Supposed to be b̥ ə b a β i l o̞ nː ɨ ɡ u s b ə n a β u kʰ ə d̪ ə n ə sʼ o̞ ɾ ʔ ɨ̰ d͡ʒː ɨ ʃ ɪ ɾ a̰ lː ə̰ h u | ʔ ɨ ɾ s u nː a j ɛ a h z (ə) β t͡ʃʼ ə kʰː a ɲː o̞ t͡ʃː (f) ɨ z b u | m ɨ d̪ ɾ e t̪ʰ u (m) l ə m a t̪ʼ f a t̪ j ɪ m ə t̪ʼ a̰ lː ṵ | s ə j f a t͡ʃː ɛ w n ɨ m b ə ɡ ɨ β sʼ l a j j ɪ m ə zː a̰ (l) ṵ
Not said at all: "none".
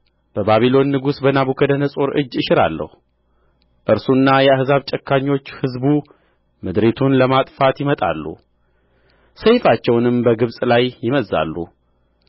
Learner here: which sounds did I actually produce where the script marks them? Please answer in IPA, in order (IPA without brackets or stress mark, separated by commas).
a, h, n, lː